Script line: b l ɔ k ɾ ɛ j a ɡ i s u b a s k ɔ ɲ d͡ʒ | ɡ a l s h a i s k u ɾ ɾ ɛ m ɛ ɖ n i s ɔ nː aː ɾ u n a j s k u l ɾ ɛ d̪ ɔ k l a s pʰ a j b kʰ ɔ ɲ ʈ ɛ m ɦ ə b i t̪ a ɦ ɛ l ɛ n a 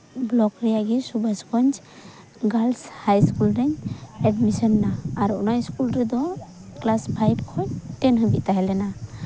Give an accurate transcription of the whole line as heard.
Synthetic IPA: b l ɔ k ɾ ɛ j a ɡ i s u b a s k ɔ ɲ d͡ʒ | ɡ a l s h a j s k u l ɾ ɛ ɲ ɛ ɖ m i s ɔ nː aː ɾ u n a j s k u l ɾ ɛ d̪ ɔ k l a s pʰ a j b kʰ ɔ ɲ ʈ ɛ n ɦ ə b i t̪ a ɦ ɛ l ɛ n a